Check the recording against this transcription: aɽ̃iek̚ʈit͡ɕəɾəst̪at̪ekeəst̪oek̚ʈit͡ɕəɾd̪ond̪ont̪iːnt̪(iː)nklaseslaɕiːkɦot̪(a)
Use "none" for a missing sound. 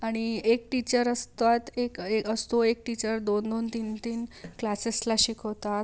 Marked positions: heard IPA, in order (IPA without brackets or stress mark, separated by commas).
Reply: iː, a